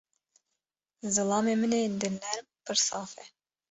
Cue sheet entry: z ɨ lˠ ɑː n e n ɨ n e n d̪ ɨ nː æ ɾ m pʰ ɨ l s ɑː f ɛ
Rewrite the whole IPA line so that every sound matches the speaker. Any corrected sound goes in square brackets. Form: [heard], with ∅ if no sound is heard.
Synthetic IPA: z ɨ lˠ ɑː [m] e [m] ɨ n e n d̪ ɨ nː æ ɾ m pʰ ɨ [ɾ] s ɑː f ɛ

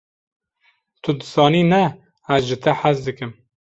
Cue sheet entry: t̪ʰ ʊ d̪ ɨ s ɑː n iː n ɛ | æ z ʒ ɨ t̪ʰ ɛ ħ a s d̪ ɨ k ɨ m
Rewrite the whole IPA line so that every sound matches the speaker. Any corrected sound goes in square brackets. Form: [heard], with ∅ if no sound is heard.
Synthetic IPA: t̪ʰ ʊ d̪ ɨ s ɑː n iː n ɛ | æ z ʒ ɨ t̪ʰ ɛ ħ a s d̪ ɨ k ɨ m

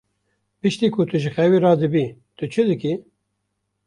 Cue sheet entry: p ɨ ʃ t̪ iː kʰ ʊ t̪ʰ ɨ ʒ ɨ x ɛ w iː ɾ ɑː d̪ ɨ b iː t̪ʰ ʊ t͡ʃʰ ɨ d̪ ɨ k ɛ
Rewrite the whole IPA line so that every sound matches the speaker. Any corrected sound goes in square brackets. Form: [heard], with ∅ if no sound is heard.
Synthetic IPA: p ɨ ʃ t̪ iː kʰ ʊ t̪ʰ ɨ ʒ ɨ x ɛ w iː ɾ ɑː d̪ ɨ b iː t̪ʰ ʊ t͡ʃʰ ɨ d̪ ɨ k [i]

